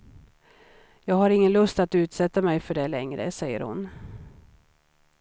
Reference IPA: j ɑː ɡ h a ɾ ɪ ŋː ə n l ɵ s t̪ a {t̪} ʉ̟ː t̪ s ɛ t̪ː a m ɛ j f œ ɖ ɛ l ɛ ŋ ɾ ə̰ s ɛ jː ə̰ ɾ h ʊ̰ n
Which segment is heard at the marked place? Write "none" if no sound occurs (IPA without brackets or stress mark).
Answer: t̪